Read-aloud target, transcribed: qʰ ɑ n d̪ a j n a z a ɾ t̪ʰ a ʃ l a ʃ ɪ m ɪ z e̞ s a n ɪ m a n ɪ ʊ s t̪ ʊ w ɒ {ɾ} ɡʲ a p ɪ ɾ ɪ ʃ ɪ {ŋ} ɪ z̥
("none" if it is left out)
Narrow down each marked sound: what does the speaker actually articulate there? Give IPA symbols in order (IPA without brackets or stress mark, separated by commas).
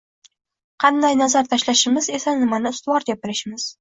ɾ, m